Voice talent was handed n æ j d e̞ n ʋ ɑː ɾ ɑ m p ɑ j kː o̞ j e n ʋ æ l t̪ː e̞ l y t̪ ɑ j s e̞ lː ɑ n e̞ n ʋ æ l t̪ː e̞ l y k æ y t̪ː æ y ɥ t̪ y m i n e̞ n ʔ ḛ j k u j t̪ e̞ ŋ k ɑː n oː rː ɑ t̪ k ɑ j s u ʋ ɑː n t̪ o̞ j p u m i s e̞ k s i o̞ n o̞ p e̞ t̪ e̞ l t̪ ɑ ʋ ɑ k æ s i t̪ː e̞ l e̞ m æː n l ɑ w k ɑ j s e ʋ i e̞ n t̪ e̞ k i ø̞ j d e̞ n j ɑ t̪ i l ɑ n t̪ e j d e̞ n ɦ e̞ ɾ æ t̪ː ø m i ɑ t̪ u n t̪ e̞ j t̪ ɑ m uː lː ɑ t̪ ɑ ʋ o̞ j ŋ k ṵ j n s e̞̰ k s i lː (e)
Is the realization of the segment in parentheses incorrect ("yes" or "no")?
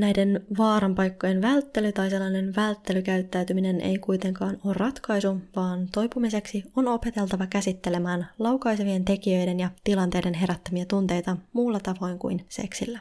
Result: yes